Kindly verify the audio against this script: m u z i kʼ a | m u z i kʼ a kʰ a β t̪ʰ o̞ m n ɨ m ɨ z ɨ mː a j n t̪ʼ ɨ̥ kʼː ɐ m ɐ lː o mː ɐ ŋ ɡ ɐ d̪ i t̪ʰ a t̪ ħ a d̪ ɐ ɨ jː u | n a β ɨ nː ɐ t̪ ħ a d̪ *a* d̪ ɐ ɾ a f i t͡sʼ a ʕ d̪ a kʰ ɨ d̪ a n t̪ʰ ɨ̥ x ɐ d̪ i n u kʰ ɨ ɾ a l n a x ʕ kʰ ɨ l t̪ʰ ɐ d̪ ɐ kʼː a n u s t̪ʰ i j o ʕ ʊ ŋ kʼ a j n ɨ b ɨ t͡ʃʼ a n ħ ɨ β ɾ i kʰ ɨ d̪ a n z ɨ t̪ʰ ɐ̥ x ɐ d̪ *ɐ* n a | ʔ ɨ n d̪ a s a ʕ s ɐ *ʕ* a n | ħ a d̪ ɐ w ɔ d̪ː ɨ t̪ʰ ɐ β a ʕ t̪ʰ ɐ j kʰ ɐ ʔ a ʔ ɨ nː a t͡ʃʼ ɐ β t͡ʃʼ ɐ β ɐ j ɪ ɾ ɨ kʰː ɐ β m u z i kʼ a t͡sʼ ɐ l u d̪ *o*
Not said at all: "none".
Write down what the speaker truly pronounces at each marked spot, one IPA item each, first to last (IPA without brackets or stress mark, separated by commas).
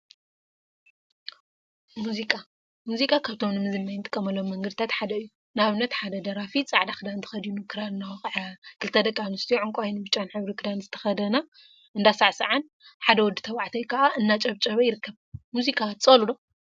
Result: ɐ, ɐ, ʕ, o